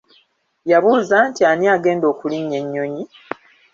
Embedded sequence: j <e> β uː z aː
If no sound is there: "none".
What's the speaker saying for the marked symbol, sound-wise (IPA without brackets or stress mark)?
a